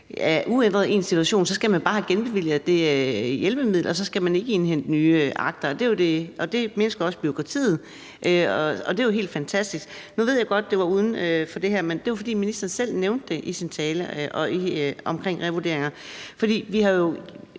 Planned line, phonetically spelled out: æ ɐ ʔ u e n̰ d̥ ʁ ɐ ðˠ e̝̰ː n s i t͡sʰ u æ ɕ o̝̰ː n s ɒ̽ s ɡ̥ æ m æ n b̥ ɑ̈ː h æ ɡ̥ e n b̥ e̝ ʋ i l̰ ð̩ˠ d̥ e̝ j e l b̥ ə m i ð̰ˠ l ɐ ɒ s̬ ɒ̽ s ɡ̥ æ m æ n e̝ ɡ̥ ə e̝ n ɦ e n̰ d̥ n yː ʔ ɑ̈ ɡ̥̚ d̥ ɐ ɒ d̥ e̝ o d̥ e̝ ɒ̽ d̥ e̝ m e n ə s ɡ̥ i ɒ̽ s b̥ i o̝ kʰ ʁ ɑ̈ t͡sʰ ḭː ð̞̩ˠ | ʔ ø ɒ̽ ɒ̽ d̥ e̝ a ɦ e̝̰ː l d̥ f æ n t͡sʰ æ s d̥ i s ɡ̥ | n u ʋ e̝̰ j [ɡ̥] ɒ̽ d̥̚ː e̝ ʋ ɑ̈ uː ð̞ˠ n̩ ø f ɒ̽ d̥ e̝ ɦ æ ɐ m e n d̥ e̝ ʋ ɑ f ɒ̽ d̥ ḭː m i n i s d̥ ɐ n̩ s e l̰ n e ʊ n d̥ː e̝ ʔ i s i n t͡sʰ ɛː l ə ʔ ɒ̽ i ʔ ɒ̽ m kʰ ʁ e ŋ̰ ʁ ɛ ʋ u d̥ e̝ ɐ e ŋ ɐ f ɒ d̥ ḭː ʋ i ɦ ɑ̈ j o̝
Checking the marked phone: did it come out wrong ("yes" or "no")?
no